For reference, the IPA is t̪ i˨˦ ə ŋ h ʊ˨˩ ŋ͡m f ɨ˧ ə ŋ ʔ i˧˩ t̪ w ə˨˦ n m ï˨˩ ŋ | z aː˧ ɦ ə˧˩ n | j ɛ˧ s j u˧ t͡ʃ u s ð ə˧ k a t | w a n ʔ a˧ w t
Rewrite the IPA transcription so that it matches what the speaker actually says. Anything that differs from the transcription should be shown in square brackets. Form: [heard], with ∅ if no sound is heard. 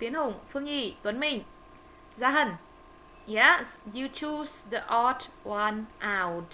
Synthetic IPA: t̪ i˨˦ ə [n] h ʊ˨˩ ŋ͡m f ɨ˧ ə ŋ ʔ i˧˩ t̪ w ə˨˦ n m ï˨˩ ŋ | z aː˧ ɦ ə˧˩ n | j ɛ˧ s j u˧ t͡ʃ u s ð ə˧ [ʔ] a t | w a n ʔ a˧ w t